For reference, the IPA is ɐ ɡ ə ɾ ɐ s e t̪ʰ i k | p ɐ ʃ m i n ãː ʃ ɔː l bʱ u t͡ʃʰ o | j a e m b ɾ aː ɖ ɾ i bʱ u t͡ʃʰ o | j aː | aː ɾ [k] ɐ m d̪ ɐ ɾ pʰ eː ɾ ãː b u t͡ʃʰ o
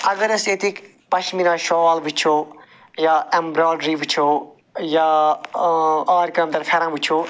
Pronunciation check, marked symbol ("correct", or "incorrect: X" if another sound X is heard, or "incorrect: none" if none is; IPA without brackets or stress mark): correct